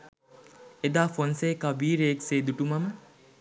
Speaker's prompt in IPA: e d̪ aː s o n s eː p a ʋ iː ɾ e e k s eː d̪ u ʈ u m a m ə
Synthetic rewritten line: e d̪ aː f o n s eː k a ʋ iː ɾ e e k s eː d̪ u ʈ u m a m ə